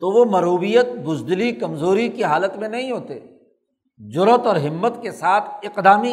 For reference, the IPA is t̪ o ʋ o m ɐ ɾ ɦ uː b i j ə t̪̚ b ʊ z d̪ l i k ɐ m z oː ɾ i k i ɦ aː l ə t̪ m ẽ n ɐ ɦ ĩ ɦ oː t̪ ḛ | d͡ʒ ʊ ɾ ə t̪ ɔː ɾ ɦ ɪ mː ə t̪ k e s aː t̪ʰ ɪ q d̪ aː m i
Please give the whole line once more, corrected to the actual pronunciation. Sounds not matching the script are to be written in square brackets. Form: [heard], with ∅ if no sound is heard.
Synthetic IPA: t̪ o ʋ o m ɐ ɾ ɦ uː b i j ə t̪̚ b ʊ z d̪ l i k ɐ m z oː ɾ i k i ɦ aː l ə t̪ m ẽ n ɐ ɦ ĩ ɦ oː t̪ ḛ | d͡ʒ ʊ ɾ ə t̪ ɔː ɾ ɦ ɪ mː ə t̪ k e s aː t̪ʰ ɪ q d̪ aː m i